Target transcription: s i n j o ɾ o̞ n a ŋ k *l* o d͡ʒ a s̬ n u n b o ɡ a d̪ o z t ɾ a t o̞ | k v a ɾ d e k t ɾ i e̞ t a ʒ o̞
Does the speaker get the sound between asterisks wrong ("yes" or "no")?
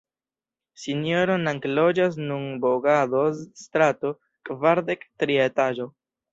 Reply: no